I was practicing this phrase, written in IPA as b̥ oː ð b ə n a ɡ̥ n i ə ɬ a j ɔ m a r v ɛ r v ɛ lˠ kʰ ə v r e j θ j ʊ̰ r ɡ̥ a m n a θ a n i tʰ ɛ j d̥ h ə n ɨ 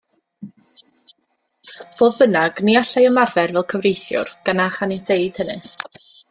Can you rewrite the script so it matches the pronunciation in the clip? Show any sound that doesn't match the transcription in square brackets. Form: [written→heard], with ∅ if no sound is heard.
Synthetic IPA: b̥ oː ð b ə n a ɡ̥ n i [ə→a] ɬ a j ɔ m a r v ɛ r v ɛ lˠ kʰ ə v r e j θ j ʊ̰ r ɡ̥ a [m→∅] n a [θ→χ] a n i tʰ [ɛ→e] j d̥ h ə n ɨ